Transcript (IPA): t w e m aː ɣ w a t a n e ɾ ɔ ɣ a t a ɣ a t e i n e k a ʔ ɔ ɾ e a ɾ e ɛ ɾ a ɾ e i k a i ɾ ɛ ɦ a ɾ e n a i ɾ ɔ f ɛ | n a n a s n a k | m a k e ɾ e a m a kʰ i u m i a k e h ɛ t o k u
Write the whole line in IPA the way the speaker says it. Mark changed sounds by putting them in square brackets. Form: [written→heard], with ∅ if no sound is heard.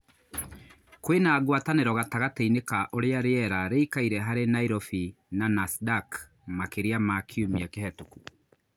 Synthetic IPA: [t→k] w e [m→n] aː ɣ w a t a n e ɾ ɔ ɣ a t a ɣ a t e i n e k a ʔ [ɔ→o] ɾ e a ɾ e ɛ ɾ a ɾ e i k a i ɾ ɛ ɦ a ɾ e n a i ɾ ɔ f [ɛ→i] | n a n a s [n→d] a k | m a k e ɾ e a m a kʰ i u m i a k e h ɛ t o k u